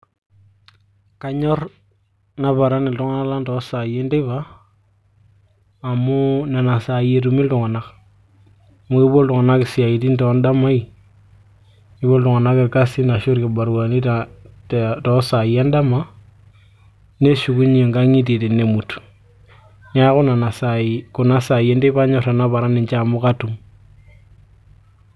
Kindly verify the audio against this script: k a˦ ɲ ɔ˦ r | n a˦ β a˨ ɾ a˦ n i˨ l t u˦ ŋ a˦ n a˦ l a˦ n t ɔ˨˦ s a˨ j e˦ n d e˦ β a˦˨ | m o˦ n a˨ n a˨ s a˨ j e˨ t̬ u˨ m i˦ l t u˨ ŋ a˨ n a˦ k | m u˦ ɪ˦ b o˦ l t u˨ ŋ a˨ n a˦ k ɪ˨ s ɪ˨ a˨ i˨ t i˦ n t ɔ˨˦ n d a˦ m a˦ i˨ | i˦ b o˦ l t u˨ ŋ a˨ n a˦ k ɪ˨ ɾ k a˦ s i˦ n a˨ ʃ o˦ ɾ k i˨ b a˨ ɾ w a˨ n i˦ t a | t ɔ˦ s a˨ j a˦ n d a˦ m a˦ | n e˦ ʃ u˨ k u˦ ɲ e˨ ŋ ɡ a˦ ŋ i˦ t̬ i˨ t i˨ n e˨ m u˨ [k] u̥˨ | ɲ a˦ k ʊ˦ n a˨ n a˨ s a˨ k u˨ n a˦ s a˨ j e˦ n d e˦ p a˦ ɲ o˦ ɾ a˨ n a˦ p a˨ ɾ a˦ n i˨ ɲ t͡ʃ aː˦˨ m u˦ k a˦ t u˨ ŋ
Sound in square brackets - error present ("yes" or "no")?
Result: yes